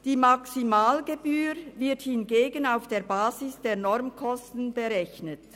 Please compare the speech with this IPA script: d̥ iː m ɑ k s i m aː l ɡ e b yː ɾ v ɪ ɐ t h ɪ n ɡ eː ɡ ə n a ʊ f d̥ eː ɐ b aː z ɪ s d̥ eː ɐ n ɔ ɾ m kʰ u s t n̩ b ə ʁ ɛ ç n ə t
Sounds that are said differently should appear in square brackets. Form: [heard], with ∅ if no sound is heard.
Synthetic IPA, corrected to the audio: d̥ iː m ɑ k s i m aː l ɡ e b yː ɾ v ɪ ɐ t h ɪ n ɡ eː ɡ ə n a ʊ f d̥ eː ɐ b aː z ɪ s d̥ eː ɐ n ɔ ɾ m kʰ [ɔ] s t n̩ b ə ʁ ɛ ç n ə t